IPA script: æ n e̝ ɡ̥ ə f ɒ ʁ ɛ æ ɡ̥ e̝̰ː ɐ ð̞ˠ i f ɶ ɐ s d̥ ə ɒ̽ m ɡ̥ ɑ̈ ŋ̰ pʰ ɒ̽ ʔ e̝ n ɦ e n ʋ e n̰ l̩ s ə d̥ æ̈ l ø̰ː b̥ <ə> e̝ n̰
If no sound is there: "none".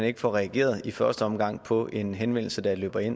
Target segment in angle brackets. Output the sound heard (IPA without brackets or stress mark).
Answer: ɐ